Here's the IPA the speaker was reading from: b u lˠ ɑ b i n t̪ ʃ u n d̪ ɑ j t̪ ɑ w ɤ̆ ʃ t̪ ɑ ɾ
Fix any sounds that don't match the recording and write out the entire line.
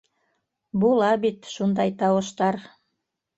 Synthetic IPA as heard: b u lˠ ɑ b i t̪ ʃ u n d̪ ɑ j t̪ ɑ w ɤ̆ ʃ t̪ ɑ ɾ